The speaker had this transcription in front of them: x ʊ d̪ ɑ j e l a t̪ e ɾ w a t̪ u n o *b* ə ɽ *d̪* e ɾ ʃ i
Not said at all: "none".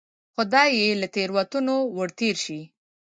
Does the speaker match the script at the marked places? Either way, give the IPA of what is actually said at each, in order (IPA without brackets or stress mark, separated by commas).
w, t̪